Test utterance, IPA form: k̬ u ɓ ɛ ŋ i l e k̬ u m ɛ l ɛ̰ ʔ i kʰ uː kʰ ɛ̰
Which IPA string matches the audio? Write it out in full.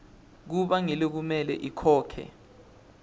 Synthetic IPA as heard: k̬ u ɓ a ŋ i l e k̬ u m ɛ l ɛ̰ ʔ i kʰ ɔː kʰ ɛ̰

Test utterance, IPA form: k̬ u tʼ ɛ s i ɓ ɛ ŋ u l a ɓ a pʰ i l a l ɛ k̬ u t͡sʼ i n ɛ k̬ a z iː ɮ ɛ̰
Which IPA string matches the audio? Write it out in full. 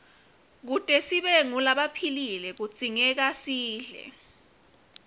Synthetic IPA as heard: k̬ u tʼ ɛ s i ɓ ɛ ŋ u l a ɓ a pʰ i l i l ɛ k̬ u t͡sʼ i ŋ ɛ k̬ a s iː ɮ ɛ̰

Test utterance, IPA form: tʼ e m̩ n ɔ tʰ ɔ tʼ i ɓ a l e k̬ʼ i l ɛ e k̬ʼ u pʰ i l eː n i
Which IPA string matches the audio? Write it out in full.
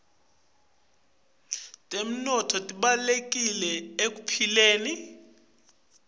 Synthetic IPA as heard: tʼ e m̩ n ɔ tʰ ɔ tʼ i ɓ a l e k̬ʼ i l ɛ e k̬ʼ u pʰ i l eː n i

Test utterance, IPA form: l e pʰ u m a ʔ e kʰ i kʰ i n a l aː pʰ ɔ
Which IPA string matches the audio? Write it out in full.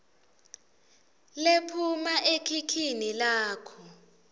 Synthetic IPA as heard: l e pʰ u m a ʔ e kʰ i kʰ i n i l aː kʰ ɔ

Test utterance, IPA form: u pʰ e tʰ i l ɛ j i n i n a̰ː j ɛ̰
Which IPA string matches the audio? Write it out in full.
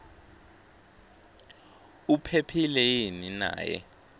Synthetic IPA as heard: u pʰ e pʰ i l ɛ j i n i n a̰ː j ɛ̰

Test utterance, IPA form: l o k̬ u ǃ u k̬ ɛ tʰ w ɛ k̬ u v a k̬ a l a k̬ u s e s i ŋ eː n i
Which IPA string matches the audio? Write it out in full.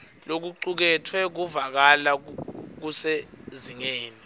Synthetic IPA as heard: l o k̬ u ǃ u k̬ ɛ tʰ w ɛ k̬ u v a k̬ a l a k̬ u s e z i ŋ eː n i

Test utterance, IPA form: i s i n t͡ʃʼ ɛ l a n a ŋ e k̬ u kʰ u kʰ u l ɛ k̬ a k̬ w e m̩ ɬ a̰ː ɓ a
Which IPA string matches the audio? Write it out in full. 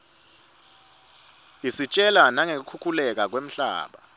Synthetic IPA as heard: i s i t͡ʃʼ ɛ l a n a ŋ e k̬ u kʰ u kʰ u l ɛ k̬ a k̬ w e m̩ ɬ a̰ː ɓ a

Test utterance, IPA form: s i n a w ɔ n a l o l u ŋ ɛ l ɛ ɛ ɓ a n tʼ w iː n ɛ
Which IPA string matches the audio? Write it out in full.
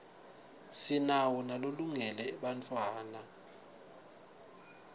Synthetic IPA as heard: s i n a w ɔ n a l o l u ŋ ɛ l ɛ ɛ ɓ a n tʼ w aː n a

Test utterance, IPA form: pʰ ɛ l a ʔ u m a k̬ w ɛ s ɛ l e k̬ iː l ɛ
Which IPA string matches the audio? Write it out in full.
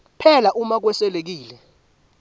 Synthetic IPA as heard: pʰ ɛ l a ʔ u m a k̬ w ɛ s ɛ l e k̬ iː l ɛ

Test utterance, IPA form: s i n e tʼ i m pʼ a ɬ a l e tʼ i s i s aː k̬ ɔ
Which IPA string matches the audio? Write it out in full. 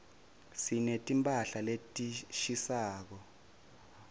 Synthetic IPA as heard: s i n e tʼ i m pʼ a ɬ a l e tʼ i ʃ i s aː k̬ ɔ

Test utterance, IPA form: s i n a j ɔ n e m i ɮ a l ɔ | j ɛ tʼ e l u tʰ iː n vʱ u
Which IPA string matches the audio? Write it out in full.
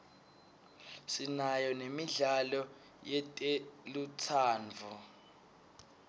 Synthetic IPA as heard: s i n a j ɔ n e m i ɮ a l ɔ | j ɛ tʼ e l u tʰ aː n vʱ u

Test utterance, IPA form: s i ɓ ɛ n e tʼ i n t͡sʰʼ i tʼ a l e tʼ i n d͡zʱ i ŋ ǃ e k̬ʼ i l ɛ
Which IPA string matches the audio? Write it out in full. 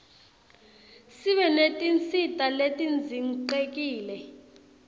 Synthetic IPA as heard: s i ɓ ɛ n e tʼ i n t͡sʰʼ i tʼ a l e tʼ i n d͡zʱ i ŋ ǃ e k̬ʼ iː l ɛ

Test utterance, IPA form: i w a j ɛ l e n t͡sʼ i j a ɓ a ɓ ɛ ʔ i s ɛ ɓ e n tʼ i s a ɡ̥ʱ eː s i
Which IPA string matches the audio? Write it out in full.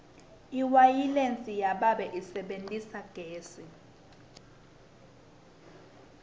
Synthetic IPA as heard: i w a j i l e n t͡sʼ i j a ɓ a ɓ ɛ ʔ i s ɛ ɓ e n tʼ i s a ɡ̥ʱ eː s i

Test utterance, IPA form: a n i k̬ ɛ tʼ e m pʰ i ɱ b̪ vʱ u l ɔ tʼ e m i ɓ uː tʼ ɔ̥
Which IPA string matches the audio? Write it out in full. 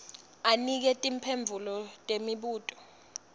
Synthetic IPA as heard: a n i k̬ ɛ tʼ i m pʰ e ɱ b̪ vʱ u l ɔ tʼ e m i ɓ uː tʼ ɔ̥

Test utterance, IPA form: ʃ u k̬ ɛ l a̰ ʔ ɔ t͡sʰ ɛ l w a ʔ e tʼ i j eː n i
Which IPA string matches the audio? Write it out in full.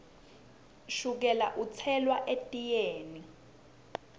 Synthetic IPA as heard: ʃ u k̬ ɛ l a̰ ʔ u t͡sʰ ɛ l w a ʔ e tʼ i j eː n i

